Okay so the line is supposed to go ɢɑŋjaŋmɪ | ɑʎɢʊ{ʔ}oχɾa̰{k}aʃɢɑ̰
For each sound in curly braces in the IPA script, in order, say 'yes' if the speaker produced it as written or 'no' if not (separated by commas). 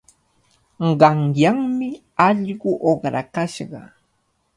yes, yes